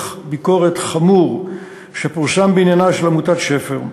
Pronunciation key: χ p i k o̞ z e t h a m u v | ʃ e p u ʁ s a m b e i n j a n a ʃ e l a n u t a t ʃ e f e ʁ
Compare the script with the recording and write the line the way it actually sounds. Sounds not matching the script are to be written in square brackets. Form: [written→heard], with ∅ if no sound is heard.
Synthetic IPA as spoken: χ [p→b] i k o̞ [z→ʁ] e t [h→χ] a m u [v→ʁ] | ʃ e p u ʁ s a m b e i n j a n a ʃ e l a [n→m] u t a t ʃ e f e ʁ

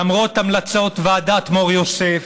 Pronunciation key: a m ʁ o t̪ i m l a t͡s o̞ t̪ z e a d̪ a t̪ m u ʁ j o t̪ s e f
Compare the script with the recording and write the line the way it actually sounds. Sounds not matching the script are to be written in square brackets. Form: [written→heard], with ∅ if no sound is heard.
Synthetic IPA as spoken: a m ʁ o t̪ [i→a] m l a t͡s o̞ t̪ [z→v] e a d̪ a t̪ m [u→o] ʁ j o [t̪→∅] s e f

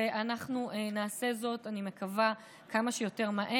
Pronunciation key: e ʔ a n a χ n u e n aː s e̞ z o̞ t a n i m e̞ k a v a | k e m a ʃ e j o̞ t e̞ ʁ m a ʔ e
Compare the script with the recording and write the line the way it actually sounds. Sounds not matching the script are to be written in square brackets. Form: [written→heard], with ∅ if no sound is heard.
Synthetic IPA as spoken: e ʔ a n a χ n u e n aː s e̞ z o̞ t a n i m e̞ k a v a | k [e→a] m a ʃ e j o̞ t e̞ ʁ m a ʔ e

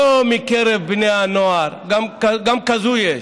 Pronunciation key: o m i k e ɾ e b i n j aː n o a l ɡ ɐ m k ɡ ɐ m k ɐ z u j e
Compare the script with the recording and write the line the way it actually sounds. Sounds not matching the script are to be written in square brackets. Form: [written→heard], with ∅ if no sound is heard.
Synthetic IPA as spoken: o m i k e ɾ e b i n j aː n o a [l→ɾ] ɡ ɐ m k ɡ ɐ m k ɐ z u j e

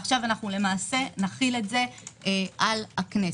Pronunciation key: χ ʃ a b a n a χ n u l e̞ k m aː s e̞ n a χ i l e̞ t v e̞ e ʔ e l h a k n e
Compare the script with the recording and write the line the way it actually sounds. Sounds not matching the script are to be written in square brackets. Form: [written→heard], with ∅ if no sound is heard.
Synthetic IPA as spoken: χ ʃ a [b→v] a n a χ n u l e̞ [k→∅] m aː s e̞ n a χ i l e̞ t [v→z] e̞ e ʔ [e→a] l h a k n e

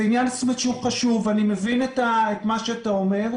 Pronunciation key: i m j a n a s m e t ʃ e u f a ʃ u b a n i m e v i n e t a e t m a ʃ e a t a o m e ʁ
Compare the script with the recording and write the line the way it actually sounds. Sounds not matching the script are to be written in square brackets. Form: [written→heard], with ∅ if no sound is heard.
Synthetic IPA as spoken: i [m→n] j a n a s m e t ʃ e u [f→χ] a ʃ u [b→v] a n i m e v i n e t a e t m a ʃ e a t a o m e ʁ

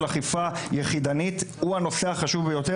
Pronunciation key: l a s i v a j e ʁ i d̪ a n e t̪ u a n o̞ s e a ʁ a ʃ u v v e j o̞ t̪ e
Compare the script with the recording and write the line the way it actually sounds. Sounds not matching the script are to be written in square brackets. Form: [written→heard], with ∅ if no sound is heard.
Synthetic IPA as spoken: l a [s→χ] i [v→f] a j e [ʁ→χ] i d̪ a n [e→i] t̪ u a n o̞ s e a [ʁ→χ] a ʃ u v [v→b] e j o̞ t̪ e

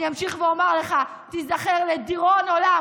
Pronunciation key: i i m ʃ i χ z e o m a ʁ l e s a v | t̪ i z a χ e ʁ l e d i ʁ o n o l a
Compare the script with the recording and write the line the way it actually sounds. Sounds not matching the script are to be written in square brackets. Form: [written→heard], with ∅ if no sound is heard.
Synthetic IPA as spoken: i [i→a] m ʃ i χ [z→v] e o m a ʁ l e [s→χ] a [v→∅] | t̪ i z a χ e ʁ l e d i ʁ o n o l a

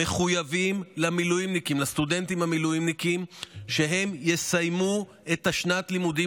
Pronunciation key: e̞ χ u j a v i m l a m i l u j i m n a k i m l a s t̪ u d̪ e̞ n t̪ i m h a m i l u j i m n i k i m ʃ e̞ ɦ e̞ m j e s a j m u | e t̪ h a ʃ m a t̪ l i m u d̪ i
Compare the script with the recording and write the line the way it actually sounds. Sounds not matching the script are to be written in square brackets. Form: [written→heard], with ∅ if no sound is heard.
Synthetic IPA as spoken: e̞ χ u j a v i m l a m i l u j i m n [a→i] k i m l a s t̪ u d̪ e̞ n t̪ i m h a m i l u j i m n i k i m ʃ e̞ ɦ e̞ m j e s a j m u | e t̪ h a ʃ [m→n] a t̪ l i m u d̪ i

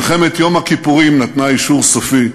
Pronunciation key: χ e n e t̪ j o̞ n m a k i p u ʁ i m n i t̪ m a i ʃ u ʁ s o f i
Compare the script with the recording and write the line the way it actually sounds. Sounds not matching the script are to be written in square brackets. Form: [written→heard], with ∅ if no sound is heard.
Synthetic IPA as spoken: χ e [n→m] e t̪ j o̞ [n→∅] m a k i p u ʁ i m n [i→a] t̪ [m→n] a i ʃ u ʁ s o f i

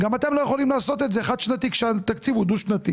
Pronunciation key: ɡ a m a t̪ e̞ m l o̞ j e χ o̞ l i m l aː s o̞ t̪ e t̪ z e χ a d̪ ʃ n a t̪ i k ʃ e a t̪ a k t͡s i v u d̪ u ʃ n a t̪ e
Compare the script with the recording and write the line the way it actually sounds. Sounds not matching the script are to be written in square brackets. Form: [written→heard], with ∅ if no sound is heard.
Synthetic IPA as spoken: ɡ a m a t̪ e̞ m l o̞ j e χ o̞ l i m l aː s o̞ t̪ e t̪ z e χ a d̪ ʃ n a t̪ i k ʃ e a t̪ a k t͡s i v u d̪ u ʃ n a t̪ [e→i]

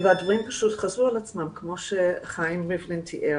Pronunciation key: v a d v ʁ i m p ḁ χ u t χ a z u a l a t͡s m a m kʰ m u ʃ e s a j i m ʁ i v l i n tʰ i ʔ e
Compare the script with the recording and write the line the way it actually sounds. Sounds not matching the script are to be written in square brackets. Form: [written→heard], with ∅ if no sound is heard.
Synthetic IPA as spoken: v a d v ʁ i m p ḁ [χ→ʃ] u t χ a z u a l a t͡s m a m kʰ m [u→o] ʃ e [s→χ] a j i m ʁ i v l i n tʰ i ʔ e

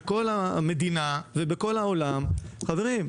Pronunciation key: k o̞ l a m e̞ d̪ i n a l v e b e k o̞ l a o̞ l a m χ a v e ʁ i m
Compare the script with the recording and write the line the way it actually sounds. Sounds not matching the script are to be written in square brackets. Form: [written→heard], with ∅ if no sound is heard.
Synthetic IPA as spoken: k o̞ l a m e̞ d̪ i n a [l→∅] v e b e k o̞ l a o̞ l a m χ a v e ʁ i m

